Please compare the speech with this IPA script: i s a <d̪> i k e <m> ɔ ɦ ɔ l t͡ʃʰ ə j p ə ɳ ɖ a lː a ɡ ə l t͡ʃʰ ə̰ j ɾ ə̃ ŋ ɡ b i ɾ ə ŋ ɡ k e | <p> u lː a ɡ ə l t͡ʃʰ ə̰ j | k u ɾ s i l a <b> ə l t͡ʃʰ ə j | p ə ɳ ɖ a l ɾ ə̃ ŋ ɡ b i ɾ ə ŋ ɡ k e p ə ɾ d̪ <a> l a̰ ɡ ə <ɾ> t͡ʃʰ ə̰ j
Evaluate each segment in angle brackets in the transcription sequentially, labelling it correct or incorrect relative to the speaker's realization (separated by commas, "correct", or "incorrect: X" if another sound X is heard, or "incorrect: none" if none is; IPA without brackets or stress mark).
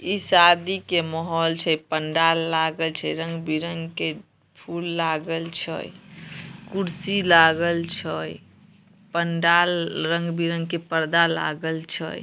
correct, correct, incorrect: pʰ, incorrect: ɡ, correct, incorrect: l